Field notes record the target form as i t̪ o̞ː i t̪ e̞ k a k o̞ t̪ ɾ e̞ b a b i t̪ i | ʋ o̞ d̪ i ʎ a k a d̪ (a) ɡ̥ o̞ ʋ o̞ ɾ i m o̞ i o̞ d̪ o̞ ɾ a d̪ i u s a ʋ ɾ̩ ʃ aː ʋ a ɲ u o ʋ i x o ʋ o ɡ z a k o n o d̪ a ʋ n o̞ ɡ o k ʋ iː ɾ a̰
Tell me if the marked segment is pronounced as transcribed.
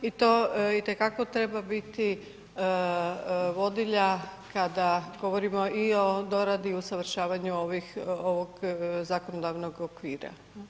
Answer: yes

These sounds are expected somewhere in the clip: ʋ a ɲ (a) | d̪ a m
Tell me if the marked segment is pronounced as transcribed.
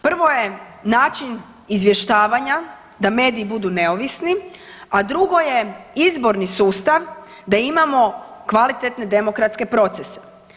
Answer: yes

